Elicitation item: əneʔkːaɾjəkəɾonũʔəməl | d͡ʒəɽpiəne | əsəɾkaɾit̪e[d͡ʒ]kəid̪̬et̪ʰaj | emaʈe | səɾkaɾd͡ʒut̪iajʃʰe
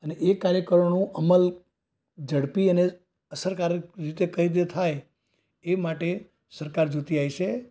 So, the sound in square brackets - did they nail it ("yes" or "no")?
no